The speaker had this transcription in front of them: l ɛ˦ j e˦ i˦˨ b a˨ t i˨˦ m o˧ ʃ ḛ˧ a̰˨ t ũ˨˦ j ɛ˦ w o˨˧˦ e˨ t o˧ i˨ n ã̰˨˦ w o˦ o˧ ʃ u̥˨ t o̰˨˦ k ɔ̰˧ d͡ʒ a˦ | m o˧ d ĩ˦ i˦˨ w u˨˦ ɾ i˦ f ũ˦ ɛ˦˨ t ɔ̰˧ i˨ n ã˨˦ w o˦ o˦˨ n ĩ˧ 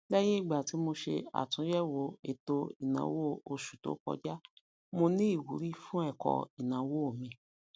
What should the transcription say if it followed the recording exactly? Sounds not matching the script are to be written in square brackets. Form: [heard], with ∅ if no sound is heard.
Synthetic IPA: l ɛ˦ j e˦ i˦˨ [ɡ͡b] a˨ t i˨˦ m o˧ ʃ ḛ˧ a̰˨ t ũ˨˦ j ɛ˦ w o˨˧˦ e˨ t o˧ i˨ n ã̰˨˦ w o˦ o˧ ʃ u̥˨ t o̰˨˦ k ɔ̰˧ d͡ʒ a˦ | m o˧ [n] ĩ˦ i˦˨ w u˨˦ ɾ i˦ f ũ˦ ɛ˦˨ [k] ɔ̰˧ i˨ n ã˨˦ w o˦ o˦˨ [m] ĩ˧

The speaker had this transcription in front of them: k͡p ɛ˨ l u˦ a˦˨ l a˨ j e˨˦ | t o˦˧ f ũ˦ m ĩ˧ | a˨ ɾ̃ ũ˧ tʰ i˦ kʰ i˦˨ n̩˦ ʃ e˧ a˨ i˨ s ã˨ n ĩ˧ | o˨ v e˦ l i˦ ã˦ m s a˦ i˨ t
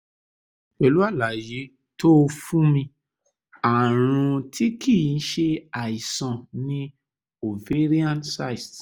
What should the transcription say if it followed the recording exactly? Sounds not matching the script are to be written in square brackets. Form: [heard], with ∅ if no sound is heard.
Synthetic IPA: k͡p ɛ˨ l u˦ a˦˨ l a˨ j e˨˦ | t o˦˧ f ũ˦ m ĩ˧ | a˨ ɾ̃ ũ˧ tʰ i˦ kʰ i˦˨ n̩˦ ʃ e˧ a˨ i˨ s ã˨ n ĩ˧ | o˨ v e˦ [ɾ] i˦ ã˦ [n] s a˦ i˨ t

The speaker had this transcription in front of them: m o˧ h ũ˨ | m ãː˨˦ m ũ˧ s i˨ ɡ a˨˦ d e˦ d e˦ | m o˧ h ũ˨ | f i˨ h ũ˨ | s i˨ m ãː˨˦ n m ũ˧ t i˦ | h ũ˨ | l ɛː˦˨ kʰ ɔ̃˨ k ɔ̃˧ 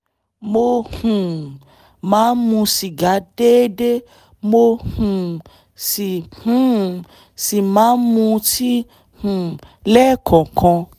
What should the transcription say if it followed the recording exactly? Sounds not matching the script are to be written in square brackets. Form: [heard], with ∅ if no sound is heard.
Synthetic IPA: m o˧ h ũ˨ | m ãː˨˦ m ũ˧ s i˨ ɡ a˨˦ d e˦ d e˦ | m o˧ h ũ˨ | [s] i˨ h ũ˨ | s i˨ m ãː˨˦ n m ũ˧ t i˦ | h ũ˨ | l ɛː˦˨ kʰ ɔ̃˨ k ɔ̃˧

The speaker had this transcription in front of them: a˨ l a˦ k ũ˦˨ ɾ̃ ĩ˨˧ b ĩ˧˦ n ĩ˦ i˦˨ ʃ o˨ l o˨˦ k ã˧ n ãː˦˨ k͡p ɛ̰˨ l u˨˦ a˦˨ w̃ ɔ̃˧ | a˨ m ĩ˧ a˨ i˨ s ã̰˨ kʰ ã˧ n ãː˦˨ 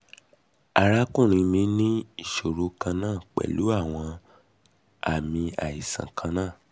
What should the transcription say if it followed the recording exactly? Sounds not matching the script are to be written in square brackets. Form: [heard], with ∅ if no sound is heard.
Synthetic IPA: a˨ [ɾ] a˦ k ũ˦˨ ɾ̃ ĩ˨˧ [m] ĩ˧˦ n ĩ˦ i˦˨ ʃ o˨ [ɾ] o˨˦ k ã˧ n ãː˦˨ k͡p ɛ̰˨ l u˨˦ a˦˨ w̃ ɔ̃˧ | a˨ m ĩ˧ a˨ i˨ s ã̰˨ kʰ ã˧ n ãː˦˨

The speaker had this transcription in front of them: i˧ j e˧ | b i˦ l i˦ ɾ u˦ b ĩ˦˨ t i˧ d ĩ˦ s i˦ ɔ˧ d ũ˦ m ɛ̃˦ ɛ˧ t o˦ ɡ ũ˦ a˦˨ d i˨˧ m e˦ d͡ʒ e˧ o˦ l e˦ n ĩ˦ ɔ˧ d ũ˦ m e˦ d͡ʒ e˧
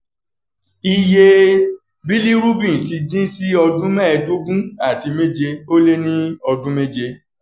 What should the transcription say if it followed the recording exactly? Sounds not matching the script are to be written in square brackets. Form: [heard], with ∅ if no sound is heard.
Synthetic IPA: i˧ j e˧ | b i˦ l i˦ ɾ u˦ b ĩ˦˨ t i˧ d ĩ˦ s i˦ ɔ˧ d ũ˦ m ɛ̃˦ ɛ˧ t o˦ ɡ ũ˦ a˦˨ [t] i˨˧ m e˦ d͡ʒ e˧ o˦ l e˦ n ĩ˦ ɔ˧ d ũ˦ m e˦ d͡ʒ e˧

